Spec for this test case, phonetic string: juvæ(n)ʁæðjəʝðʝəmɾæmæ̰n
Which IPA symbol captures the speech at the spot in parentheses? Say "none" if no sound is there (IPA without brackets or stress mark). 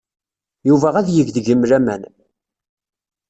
none